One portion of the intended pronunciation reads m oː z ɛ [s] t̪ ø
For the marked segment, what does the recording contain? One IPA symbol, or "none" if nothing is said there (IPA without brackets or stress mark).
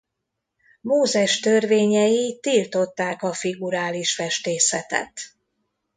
ʃ